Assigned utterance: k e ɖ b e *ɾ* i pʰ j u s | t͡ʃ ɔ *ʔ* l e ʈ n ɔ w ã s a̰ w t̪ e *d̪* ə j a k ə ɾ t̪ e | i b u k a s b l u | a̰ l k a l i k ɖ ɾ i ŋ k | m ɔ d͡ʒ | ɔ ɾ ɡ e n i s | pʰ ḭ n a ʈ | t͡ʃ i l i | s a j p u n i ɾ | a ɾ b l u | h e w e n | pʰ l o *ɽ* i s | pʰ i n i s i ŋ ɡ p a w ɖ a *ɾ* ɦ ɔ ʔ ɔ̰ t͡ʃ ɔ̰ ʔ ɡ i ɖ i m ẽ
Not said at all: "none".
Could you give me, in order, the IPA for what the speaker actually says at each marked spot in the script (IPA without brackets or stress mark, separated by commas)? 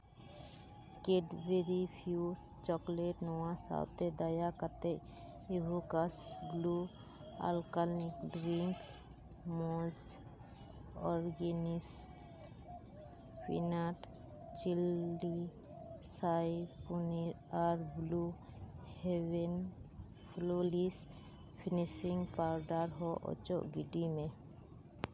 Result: ɾ, k, d̪, l, ɾ